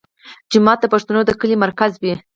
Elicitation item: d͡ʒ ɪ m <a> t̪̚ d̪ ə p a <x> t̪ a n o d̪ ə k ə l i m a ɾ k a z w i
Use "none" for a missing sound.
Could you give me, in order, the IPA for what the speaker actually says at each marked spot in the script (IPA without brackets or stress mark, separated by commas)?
ɑ, ʂ